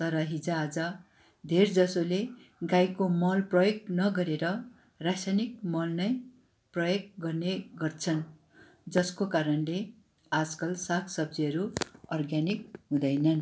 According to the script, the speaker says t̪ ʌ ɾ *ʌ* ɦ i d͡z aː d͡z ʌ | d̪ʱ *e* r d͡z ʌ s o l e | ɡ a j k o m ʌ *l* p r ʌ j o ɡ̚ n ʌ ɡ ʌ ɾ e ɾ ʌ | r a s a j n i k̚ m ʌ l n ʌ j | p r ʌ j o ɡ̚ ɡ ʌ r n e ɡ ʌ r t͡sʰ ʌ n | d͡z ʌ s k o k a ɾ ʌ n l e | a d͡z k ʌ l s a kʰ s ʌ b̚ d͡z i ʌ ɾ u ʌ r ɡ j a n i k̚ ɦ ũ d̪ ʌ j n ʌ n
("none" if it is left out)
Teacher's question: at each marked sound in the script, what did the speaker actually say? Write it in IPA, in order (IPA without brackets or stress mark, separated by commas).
ʌ, e, l